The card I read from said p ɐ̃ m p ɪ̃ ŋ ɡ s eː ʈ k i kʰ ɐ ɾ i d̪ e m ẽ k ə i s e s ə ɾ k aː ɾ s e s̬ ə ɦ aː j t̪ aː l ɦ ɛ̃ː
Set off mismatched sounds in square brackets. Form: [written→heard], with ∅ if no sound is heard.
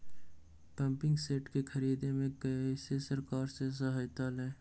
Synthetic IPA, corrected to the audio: p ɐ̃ m p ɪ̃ ŋ ɡ s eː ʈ k [i→e] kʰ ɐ ɾ [i→iː] d̪ e m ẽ k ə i s e s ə ɾ k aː ɾ s e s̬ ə ɦ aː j t̪ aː l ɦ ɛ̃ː